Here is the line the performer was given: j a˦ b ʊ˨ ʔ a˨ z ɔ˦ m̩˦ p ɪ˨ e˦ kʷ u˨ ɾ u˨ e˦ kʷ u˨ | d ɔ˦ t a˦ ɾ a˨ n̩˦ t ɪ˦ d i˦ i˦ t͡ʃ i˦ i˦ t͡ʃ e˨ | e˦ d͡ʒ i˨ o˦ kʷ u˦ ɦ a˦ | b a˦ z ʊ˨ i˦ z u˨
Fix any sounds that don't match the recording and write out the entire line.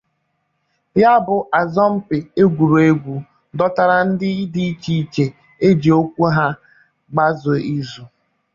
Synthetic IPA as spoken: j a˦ b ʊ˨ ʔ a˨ z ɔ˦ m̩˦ p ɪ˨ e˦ ɡʷ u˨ ɾ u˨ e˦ ɡʷ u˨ | d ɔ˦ t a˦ ɾ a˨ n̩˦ d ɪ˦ d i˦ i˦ t͡ʃ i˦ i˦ t͡ʃ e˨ | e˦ d͡ʒ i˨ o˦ kʷ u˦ ɦ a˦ | ɡ͡b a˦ z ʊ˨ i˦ z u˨